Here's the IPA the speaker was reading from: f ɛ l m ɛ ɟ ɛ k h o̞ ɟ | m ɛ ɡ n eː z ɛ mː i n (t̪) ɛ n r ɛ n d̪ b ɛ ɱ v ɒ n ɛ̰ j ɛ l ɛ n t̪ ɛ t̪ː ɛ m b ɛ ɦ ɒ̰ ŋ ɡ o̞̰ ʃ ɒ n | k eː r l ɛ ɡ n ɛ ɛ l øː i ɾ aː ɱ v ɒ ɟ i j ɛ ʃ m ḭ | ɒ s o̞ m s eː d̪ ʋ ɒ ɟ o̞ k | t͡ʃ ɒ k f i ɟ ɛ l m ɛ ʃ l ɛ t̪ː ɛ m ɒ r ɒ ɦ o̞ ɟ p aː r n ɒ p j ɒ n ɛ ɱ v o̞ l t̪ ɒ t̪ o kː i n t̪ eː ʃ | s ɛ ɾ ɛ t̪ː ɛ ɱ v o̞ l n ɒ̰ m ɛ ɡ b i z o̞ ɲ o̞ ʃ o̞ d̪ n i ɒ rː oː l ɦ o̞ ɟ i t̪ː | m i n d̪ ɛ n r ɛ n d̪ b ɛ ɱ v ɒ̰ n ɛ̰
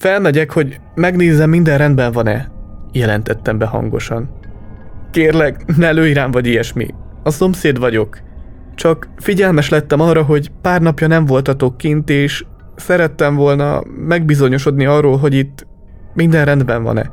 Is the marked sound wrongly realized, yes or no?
yes